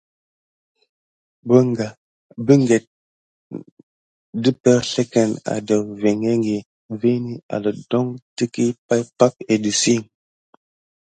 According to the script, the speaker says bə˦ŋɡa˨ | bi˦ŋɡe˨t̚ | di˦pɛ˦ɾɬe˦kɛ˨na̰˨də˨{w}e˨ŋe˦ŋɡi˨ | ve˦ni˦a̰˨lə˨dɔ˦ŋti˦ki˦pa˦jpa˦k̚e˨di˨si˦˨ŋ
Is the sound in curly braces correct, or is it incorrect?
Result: incorrect